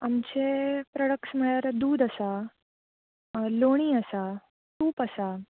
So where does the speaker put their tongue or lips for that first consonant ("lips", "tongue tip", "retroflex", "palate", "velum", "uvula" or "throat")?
lips